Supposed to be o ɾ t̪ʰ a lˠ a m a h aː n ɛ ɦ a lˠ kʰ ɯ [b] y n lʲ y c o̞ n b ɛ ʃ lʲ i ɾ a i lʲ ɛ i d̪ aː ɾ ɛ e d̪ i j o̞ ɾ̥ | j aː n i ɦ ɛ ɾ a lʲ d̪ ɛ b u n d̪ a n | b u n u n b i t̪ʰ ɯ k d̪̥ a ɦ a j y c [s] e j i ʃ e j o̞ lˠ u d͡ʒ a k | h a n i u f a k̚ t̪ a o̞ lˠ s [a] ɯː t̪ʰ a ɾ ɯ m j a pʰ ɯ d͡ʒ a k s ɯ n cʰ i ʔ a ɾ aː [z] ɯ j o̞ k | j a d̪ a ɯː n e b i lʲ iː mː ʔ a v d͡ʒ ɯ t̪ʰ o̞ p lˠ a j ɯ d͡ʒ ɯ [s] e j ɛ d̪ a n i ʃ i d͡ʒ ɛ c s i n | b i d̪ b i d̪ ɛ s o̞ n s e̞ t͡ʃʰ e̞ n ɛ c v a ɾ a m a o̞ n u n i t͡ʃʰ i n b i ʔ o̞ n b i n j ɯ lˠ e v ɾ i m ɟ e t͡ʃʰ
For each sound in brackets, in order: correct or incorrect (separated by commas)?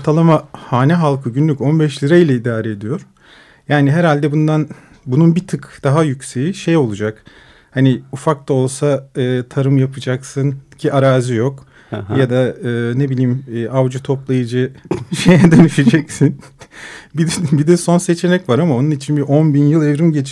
incorrect, correct, correct, correct, incorrect